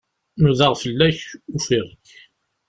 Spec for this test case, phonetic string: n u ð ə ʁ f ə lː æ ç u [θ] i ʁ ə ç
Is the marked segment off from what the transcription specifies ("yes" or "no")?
yes